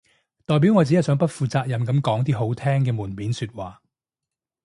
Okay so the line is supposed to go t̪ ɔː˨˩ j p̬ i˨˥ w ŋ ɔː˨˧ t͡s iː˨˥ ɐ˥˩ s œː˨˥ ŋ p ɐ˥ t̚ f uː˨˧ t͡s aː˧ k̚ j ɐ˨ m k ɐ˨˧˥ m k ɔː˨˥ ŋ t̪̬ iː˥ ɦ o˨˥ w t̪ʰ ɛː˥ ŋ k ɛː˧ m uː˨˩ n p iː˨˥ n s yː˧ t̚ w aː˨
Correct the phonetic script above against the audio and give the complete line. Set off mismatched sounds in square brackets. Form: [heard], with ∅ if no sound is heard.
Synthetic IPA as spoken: t̪ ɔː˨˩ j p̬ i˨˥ w ŋ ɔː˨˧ t͡s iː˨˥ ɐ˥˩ s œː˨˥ ŋ p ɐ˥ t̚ f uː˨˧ t͡s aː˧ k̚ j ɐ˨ m k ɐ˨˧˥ m k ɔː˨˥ ŋ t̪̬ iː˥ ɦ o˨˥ w t̪ʰ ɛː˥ ŋ k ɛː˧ m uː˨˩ n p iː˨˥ n s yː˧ t̚ w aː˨